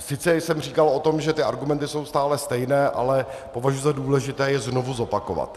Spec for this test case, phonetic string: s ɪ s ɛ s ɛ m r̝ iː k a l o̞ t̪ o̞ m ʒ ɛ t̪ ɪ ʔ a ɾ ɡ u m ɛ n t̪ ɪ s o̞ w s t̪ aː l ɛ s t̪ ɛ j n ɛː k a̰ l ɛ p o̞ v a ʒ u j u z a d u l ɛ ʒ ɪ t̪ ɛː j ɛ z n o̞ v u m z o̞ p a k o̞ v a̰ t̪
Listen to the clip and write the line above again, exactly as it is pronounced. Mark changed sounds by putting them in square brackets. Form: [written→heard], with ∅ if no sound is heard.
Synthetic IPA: s ɪ [s→t͡s] ɛ s ɛ m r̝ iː k a l o̞ t̪ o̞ m ʒ ɛ t̪ ɪ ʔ a ɾ ɡ u m ɛ n t̪ ɪ s o̞ w s t̪ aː l ɛ s t̪ ɛ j n ɛː [k→ʔ] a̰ l ɛ p o̞ v a ʒ u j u z a d [u→uː] l ɛ ʒ ɪ t̪ ɛː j ɛ z n o̞ v u [m→∅] z o̞ p a k o̞ v a̰ t̪